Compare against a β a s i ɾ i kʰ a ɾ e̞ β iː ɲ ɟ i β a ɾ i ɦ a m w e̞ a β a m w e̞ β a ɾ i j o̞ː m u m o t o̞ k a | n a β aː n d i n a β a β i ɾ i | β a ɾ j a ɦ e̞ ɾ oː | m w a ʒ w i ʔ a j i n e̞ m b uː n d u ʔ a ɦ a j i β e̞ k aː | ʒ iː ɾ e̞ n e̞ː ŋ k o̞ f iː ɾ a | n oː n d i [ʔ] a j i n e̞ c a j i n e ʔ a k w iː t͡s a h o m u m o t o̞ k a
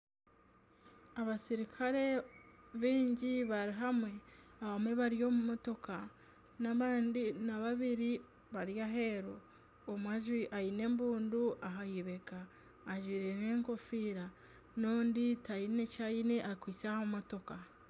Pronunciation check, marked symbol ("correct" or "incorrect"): incorrect